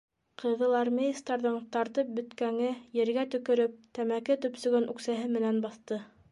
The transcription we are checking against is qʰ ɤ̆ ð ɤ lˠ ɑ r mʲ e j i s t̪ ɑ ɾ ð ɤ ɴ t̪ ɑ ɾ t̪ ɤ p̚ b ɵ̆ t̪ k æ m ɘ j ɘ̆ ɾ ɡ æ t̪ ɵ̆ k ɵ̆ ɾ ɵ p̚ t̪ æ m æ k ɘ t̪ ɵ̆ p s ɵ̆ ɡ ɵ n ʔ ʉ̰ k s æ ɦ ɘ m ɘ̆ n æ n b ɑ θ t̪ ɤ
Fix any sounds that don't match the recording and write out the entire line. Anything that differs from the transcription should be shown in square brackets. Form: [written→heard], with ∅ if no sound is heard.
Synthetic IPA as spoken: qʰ ɤ̆ ð ɤ lˠ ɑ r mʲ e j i s t̪ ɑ ɾ ð ɤ ɴ t̪ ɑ ɾ t̪ ɤ p̚ b ɵ̆ t̪ k æ [m→ŋ] ɘ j ɘ̆ ɾ ɡ æ t̪ ɵ̆ k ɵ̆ ɾ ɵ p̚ t̪ æ m æ k ɘ t̪ ɵ̆ p s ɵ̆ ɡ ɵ n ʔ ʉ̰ k s æ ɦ ɘ m ɘ̆ n æ n b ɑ θ t̪ ɤ